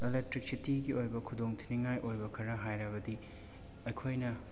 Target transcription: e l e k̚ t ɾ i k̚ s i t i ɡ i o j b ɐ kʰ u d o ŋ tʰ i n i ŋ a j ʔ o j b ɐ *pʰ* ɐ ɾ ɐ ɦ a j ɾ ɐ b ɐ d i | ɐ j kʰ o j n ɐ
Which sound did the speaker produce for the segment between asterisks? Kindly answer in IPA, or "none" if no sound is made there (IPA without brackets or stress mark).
kʰ